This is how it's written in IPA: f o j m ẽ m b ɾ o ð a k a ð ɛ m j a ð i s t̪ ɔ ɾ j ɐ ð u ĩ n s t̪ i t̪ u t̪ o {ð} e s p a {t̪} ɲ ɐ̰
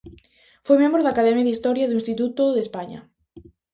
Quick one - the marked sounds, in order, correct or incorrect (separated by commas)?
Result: correct, incorrect